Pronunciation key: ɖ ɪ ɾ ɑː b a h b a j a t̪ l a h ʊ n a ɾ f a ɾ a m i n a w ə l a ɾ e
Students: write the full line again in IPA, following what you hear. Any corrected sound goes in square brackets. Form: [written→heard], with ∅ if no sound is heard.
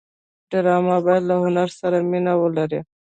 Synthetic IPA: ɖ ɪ ɾ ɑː [b→m] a [h→∅] b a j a [t̪→d̪] l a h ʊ n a ɾ [f→s] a ɾ a m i n a w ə l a ɾ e

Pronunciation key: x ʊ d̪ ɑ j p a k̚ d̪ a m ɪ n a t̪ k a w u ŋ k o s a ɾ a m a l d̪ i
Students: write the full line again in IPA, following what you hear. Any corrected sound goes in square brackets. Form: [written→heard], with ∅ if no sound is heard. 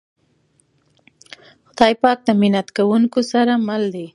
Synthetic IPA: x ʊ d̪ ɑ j p [a→ɑ] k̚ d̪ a m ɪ n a t̪ k a w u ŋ k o s a ɾ a m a l d̪ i

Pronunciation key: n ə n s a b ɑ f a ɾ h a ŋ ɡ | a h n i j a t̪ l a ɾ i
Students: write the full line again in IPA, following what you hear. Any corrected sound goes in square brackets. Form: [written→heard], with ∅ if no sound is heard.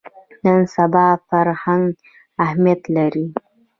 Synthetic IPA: n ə n s a b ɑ f a ɾ h a ŋ ɡ | a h [n→m] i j a t̪ l a ɾ i

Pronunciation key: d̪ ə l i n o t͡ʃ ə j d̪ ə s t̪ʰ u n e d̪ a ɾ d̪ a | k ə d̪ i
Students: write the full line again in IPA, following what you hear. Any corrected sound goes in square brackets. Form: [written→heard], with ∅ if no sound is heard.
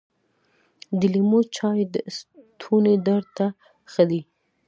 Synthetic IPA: d̪ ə l i [n→m] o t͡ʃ [ə→ɑ] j d̪ ə s t̪ʰ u n e d̪ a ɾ [d̪→t̪] a | [k→x] ə d̪ i

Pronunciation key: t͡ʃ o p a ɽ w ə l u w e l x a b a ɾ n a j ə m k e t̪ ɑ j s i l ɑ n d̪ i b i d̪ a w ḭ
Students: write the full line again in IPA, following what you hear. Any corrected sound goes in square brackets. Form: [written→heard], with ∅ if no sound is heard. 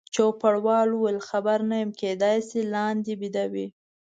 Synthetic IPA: t͡ʃ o p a ɽ w [ə→ɑ] l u w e l x a b a ɾ n a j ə m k e [t̪→d̪] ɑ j s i l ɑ n d̪ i b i d̪ a w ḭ

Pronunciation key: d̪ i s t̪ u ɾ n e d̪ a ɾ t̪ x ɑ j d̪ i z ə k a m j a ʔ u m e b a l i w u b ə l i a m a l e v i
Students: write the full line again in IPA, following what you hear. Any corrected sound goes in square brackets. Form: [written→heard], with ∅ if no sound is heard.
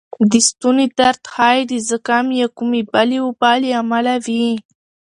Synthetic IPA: d̪ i s t̪ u [ɾ→∅] n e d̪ a ɾ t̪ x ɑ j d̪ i z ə k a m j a [ʔ→k] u m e b a l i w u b [ə→ɑ] l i a m a l [e→a] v i

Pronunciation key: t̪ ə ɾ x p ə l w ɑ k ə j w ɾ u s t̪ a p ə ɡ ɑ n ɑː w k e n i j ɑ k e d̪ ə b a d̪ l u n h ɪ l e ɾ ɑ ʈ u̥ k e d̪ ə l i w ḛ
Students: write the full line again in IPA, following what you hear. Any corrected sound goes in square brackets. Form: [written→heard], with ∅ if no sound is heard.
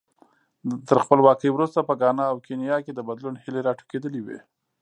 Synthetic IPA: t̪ ə ɾ x p ə l w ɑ k ə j w ɾ u s t̪ a p ə ɡ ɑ n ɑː w k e n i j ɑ k e d̪ ə b a d̪ l u n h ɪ l e ɾ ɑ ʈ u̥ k e d̪ ə l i w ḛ

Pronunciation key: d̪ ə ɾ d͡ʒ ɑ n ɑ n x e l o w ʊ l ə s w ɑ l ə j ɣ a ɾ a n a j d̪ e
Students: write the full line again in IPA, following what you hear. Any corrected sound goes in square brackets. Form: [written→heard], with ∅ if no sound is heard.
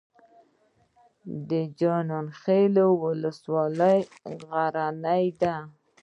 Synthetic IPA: d̪ ə [ɾ→∅] d͡ʒ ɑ n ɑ n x e l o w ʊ l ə s w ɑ l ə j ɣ a ɾ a n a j d̪ [e→a]

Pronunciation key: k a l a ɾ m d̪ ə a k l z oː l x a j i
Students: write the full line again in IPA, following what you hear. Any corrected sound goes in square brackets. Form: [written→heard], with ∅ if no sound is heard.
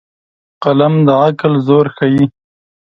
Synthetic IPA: [k→q] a l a [ɾ→∅] m d̪ ə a k l z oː [l→ɾ] x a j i

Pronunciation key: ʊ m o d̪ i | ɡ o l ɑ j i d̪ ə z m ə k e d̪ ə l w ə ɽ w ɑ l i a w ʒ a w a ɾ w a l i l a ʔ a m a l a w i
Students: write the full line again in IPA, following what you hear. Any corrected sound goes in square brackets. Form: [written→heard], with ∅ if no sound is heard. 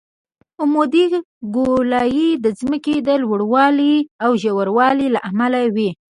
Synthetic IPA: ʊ m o d̪ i | ɡ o l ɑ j i d̪ ə z m ə k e d̪ ə l w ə ɽ w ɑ l i a w ʒ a w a ɾ w [a→ɑ] l i l a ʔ a m a l a w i

